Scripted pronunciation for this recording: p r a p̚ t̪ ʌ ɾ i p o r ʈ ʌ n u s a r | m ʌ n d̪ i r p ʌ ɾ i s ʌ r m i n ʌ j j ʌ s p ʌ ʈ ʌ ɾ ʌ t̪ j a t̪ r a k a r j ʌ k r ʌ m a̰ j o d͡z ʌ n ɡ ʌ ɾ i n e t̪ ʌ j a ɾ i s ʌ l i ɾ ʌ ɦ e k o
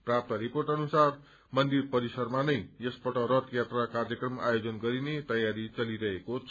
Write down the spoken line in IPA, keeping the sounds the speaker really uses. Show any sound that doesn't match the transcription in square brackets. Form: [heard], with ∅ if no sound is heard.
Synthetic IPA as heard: p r a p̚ t̪ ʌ ɾ i p o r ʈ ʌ n u s a r | m ʌ n d̪ i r p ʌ ɾ i s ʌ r m [a] n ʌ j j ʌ s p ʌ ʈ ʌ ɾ ʌ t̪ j a t̪ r a k a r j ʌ k r ʌ m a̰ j o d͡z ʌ n ɡ ʌ ɾ i n e t̪ ʌ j a ɾ i [t͡s] ʌ l i ɾ ʌ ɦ e k o